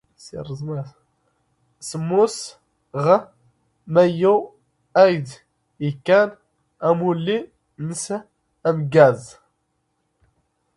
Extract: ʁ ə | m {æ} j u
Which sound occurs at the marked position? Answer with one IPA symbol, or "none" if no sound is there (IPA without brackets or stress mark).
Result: æ